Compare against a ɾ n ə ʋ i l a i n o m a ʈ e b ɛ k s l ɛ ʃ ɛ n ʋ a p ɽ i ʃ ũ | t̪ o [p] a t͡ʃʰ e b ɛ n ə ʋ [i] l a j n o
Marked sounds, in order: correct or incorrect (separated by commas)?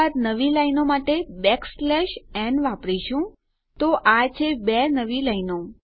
incorrect, correct